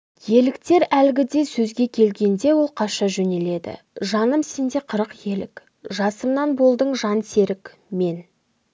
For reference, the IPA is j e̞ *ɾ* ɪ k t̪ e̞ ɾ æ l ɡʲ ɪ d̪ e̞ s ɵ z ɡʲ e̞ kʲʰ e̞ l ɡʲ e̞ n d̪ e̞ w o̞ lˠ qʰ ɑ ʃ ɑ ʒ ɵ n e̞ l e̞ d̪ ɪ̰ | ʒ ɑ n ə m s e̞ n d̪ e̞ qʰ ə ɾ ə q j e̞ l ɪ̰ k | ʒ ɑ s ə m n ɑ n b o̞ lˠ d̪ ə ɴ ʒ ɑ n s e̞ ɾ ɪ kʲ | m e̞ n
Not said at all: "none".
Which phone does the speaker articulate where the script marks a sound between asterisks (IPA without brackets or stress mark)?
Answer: l